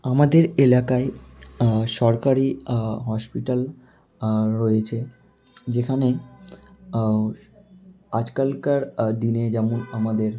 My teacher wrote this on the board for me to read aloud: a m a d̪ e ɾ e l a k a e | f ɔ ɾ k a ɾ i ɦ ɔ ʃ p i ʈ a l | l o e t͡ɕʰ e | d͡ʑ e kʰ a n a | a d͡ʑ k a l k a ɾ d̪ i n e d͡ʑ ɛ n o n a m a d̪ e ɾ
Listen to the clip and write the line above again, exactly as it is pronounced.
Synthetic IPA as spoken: a m a d̪ e ɾ e l a k a e | ʃ ɔ ɾ k a ɾ i ɦ ɔ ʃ p i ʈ a l | ɾ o e t͡ɕʰ e | d͡ʑ e kʰ a n e | a d͡ʑ k a l k a ɾ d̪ i n e d͡ʑ ɛ m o n a m a d̪ e ɾ